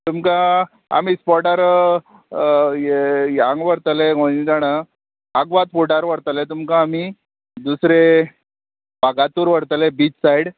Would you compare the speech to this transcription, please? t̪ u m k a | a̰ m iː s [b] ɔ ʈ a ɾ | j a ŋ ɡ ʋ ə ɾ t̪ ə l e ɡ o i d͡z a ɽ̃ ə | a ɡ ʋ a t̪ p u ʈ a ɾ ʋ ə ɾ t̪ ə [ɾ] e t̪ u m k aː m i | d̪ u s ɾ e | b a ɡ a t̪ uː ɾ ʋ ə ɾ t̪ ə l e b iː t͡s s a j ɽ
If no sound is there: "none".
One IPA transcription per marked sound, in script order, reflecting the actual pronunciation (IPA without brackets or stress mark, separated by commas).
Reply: p, l